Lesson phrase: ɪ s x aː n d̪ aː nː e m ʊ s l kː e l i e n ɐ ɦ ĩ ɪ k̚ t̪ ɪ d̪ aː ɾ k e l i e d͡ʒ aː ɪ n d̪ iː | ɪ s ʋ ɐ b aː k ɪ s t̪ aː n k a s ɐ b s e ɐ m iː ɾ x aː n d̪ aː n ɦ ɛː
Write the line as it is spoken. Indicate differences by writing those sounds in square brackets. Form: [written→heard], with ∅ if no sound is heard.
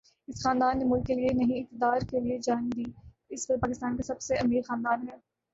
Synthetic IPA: ɪ s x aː n d̪ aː nː e m ʊ [s→∅] l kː e l i e n ɐ ɦ ĩ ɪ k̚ t̪ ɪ d̪ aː ɾ k e l i e d͡ʒ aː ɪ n d̪ iː | ɪ s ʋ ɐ [b→p] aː k ɪ s t̪ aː n k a s ɐ b s e ɐ m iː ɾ x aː n d̪ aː n ɦ ɛː